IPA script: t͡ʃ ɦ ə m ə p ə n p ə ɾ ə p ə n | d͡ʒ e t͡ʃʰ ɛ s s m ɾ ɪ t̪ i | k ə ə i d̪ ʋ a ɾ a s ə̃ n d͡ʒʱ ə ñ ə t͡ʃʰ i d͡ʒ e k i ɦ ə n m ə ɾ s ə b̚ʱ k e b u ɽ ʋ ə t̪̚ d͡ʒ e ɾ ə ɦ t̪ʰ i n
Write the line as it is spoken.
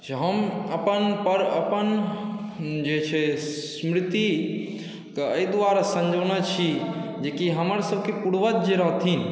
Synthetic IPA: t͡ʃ ɦ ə m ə p ə n p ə ɾ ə p ə n | d͡ʒ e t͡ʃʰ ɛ s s m ɾ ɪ t̪ i | k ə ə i d̪ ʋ a ɾ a s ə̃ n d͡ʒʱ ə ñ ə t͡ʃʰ i d͡ʒ e k i ɦ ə m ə ɾ s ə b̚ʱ k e p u ɽ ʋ ə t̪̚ d͡ʒ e ɾ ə ɦ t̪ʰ i n

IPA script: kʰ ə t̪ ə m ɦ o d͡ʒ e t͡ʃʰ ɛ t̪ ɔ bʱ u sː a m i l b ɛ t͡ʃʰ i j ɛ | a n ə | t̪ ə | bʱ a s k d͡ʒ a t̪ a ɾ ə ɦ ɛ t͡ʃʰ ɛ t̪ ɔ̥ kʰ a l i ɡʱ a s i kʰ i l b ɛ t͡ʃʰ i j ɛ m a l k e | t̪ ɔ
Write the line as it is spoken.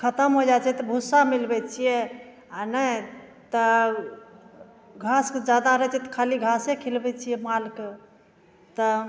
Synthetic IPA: kʰ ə t̪ ə m ɦ o d͡ʒ a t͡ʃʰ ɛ t̪ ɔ bʱ u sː a m i l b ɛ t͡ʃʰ i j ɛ | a n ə | t̪ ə | ɡʱ a s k d͡ʒ a d̪ a ɾ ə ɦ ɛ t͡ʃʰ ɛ t̪ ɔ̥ kʰ a l i ɡʱ a s e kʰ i l b ɛ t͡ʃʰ i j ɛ m a l k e | t̪ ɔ

